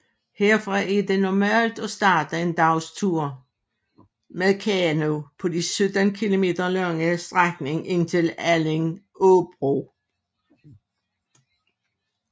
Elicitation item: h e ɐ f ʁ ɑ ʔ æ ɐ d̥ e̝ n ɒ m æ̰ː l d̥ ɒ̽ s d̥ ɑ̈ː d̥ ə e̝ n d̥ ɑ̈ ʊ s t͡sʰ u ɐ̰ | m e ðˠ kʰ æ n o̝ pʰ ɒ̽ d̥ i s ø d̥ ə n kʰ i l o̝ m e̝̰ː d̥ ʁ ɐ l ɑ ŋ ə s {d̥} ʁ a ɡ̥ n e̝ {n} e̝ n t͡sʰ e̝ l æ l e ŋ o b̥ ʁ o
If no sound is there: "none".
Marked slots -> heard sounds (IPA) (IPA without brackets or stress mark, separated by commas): d̥, ŋ